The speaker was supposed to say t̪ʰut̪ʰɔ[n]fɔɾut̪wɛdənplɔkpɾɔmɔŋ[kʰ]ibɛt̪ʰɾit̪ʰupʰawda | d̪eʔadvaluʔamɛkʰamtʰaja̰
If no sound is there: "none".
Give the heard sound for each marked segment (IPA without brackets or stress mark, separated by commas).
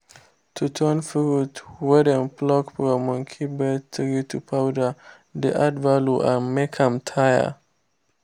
n, kʰ